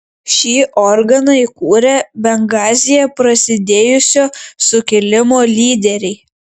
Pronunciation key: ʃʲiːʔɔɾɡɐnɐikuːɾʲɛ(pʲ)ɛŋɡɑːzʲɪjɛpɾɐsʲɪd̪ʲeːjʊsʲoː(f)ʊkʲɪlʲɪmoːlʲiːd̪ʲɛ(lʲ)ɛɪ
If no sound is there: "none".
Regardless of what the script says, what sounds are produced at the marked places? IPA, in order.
bʲ, s, ɾʲ

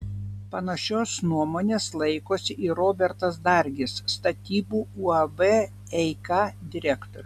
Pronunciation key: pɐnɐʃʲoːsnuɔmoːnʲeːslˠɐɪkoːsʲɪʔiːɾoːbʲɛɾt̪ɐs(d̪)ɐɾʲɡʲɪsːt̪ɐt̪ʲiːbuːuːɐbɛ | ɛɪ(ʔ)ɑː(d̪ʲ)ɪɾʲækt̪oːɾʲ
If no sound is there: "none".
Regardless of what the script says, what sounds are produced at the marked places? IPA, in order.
d̪, k, d̪ʲ

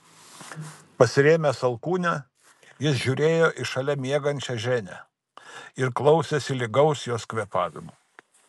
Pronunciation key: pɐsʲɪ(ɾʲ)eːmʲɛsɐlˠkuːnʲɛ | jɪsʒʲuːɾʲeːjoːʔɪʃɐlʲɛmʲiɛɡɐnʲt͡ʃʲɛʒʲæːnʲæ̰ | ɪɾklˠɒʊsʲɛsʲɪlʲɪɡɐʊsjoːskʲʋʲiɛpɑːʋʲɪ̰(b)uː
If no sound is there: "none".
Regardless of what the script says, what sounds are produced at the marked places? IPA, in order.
ɾʲ, m

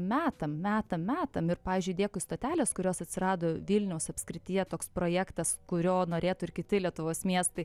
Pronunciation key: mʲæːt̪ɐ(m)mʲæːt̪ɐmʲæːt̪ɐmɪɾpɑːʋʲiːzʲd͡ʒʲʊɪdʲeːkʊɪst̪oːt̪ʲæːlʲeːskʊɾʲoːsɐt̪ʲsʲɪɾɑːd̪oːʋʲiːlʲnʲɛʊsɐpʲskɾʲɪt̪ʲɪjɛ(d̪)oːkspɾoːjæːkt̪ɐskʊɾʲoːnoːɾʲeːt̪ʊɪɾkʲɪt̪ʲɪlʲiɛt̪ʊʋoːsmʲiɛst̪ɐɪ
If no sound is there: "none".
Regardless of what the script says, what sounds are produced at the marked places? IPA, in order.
m, t̪

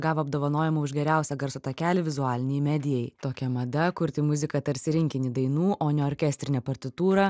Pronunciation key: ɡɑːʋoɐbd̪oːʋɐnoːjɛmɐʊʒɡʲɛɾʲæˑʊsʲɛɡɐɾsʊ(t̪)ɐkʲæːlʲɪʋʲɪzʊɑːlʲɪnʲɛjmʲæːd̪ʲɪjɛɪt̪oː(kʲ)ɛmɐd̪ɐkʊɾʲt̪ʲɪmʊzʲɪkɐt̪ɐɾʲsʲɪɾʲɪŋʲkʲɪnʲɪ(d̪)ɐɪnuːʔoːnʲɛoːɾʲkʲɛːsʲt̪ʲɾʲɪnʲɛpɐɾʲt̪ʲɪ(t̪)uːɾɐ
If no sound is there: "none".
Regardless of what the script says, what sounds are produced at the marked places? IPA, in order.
t̪, kʲ, d̪, t̪

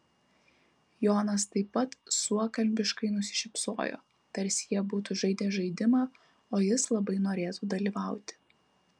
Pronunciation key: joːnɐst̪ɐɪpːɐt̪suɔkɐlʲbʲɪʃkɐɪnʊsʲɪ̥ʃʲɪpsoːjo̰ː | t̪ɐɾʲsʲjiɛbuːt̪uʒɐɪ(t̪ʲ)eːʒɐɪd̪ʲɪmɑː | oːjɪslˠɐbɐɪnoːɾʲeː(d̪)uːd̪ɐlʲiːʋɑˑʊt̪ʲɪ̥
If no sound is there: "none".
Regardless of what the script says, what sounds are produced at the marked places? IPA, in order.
d̪ʲ, t̪

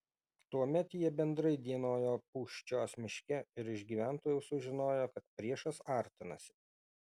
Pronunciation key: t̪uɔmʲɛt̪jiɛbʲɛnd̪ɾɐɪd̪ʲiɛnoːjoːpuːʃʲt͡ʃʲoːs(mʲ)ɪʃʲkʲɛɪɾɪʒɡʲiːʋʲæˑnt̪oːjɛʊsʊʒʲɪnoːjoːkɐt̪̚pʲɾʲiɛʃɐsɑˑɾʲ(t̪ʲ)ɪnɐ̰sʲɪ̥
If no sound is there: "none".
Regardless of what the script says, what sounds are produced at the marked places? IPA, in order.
mʲ, t̪ʲ

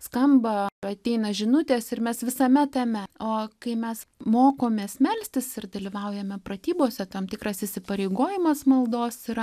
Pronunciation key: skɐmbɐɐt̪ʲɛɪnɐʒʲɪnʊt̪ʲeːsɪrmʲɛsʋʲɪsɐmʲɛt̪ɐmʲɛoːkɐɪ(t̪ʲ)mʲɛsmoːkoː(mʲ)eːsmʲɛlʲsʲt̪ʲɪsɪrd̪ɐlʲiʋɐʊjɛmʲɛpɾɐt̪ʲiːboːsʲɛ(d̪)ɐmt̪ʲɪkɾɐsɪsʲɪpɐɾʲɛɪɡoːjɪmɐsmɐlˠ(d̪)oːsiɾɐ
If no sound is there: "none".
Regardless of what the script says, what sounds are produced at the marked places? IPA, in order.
none, mʲ, t̪, d̪

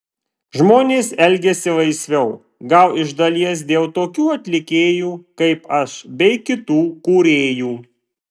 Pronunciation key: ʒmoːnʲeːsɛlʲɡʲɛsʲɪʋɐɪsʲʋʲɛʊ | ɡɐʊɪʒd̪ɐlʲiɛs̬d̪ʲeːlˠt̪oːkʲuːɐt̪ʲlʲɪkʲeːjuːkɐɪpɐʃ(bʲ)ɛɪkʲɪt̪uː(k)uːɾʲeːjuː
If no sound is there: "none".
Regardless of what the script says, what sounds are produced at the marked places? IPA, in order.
bʲ, k

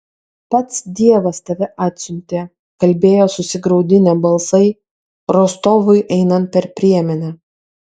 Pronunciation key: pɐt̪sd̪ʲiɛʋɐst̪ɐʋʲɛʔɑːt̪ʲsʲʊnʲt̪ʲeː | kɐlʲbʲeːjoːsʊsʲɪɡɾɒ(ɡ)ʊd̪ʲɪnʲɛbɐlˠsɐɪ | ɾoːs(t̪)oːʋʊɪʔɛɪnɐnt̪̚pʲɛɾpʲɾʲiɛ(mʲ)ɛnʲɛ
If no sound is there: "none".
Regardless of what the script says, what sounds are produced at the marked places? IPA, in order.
none, t̪, mʲ

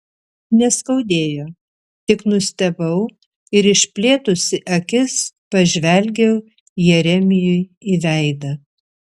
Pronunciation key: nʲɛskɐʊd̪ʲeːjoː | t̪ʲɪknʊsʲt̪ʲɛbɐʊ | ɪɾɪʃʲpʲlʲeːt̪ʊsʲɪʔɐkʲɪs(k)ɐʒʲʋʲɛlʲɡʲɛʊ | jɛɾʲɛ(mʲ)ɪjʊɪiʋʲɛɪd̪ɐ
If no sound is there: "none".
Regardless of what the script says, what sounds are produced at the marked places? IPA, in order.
p, mʲ

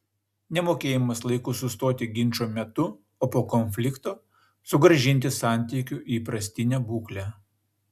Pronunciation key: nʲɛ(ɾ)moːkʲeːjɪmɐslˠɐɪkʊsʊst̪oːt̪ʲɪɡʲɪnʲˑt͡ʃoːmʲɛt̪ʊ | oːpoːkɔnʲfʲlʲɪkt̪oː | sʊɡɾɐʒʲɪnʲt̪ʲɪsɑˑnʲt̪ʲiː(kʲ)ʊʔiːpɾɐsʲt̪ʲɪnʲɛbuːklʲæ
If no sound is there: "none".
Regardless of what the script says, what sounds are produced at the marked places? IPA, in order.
none, kʲ

